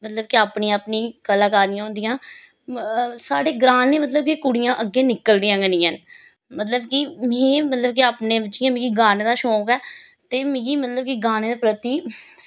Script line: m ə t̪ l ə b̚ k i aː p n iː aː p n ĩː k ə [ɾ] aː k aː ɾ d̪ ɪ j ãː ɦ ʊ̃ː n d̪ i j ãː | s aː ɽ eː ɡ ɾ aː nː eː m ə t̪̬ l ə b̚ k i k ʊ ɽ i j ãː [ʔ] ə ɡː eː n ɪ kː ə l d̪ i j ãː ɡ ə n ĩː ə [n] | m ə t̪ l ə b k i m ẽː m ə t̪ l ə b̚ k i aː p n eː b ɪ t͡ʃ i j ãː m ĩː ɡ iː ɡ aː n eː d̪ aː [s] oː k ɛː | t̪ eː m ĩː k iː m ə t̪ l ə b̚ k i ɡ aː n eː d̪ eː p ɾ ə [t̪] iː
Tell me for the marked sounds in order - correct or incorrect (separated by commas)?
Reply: incorrect, correct, correct, incorrect, correct